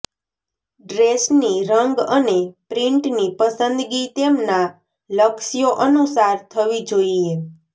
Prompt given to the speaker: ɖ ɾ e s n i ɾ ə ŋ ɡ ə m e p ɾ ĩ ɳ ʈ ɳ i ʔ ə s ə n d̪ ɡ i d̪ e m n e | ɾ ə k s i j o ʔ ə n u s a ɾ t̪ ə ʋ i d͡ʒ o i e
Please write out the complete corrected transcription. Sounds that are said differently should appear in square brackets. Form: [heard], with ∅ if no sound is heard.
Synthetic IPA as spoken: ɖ ɾ e s n i ɾ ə ŋ ɡ ə [n] e p ɾ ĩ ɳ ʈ [n] i [p] ə s ə n d̪ ɡ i [t̪] e m n [a] | [l] ə k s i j o ʔ ə n u s a ɾ [t̪ʰ] ə ʋ i d͡ʒ o i e